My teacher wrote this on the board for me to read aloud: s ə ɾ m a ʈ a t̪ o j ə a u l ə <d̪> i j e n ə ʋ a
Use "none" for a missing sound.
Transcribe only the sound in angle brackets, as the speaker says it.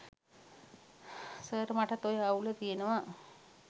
t̪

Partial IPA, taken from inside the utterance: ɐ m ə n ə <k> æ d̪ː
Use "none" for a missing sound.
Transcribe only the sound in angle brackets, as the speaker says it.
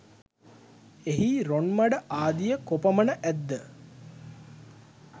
ʔ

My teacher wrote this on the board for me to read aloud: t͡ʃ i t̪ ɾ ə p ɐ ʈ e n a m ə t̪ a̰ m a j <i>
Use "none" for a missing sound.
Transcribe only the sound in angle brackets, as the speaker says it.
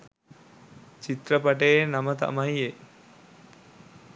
e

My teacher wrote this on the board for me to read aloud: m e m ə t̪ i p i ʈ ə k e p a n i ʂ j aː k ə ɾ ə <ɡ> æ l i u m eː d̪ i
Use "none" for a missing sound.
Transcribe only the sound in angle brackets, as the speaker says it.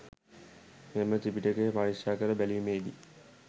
b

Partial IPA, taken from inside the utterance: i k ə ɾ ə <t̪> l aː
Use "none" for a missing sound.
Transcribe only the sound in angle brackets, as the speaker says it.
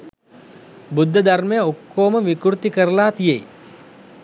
none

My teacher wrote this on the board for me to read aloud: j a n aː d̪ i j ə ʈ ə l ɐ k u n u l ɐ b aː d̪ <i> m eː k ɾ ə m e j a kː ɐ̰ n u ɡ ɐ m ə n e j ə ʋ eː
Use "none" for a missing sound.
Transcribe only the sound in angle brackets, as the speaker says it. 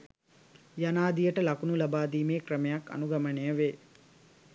iː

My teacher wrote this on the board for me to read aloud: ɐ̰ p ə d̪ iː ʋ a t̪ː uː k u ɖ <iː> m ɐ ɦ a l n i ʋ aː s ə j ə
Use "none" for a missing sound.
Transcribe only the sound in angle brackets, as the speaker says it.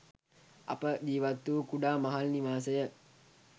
aː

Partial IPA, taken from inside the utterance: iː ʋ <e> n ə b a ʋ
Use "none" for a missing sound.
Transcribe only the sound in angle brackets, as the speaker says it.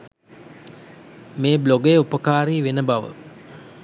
e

